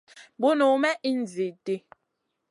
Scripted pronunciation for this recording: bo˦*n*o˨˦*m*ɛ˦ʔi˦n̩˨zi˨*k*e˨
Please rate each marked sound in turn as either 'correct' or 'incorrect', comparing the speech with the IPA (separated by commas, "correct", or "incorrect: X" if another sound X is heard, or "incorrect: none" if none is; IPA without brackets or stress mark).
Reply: correct, correct, incorrect: t